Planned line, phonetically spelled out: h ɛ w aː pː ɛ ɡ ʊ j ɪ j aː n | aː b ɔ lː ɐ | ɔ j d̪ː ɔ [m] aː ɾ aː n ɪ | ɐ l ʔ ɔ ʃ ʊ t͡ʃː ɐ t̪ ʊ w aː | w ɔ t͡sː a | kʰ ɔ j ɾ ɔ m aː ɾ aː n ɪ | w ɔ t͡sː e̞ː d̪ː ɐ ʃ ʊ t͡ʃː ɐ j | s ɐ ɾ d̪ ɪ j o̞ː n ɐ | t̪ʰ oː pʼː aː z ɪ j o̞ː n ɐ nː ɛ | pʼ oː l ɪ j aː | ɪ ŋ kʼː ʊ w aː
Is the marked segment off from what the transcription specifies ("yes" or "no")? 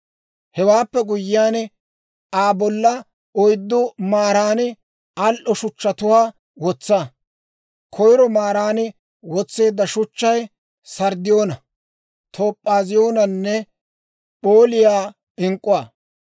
no